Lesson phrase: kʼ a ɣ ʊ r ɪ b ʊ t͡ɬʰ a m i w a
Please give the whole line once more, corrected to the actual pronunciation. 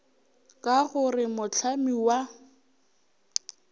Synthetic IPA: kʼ a ɣ ʊ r ɪ m ʊ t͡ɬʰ a m i w a

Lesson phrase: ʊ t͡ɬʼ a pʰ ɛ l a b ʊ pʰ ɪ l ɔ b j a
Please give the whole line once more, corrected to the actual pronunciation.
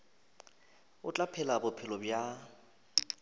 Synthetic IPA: ʊ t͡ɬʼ a pʰ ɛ l a b ʊ pʰ ɪ l ɔ b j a

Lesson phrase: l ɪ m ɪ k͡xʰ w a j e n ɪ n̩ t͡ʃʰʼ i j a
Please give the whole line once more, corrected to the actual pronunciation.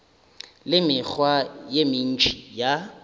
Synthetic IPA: l ɪ m ɪ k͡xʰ w a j e m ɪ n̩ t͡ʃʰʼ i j a

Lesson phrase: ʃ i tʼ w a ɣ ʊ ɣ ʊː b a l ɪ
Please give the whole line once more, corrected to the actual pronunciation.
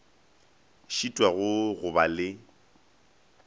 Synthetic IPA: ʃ i tʼ w a ɣ ʊ ɣ ʊ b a l ɪ

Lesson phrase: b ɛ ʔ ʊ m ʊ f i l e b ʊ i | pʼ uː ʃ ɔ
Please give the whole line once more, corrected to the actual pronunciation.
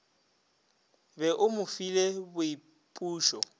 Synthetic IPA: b ɛ ʔ ʊ m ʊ f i l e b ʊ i | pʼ uː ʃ ɔ

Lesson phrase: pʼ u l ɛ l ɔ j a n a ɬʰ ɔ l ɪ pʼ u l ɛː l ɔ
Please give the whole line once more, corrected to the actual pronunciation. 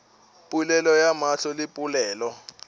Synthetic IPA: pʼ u l ɛ l ɔ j a m a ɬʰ ɔ l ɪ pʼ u l ɛː l ɔ

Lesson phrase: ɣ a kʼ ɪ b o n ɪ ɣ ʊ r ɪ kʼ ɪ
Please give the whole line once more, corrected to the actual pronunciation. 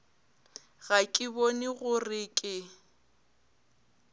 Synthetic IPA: ɣ a kʼ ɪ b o n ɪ ɣ ʊ r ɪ kʼ ɪ

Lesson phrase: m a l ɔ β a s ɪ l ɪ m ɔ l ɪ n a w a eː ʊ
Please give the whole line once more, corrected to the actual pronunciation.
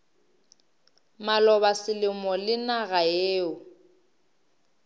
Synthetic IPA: m a l ɔ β a s ɪ l ɪ m ɔ l ɪ n a ɣ a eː ʊ

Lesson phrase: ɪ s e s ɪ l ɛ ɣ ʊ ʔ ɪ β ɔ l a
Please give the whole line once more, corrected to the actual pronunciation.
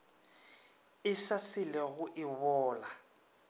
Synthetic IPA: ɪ s a s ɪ l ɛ ɣ ʊ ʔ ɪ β ɔː l a

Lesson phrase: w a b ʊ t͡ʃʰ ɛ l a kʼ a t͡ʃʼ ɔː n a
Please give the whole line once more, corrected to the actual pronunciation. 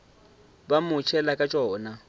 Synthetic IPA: b a m ʊ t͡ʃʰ ɛ l a kʼ a t͡ʃʼ ɔː n a

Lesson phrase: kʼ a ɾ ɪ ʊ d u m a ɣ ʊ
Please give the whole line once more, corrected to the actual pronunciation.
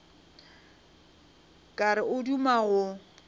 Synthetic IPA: kʼ a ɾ ɪ ʊ d u m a ɣ ʊ

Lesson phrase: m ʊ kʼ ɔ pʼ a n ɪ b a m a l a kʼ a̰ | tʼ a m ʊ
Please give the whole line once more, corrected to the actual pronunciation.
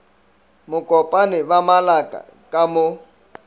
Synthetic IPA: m ʊ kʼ ɔ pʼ a n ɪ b a m a l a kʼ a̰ | kʼ a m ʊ

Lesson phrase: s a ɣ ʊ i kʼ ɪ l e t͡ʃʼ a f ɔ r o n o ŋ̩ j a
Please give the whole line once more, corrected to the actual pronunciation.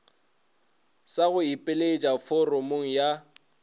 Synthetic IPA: s a ɣ ʊ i pʼ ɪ l e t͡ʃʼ a f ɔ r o m o ŋ̩ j a

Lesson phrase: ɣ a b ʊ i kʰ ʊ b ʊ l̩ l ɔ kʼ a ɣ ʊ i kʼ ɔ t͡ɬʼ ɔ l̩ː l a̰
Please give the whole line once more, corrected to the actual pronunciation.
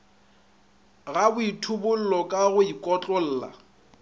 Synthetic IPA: ɣ a b ʊ i tʰ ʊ b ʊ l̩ l ɔ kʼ a ɣ ʊ i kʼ ɔ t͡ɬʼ ɔ l̩ː l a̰

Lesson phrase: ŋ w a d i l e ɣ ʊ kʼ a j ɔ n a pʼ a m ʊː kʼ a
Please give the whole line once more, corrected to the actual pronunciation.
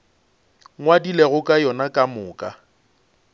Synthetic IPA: ŋ w a d i l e ɣ ʊ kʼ a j ɔ n a kʼ a m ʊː kʼ a

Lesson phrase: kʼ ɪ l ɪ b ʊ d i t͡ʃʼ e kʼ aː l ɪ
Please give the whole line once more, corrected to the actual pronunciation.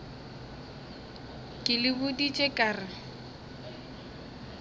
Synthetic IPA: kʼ ɪ l ɪ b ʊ d i t͡ʃʼ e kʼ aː r ɪ

